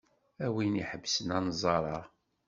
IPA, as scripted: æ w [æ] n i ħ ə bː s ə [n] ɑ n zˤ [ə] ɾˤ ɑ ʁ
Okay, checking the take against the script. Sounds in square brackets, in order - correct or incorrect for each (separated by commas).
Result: incorrect, correct, incorrect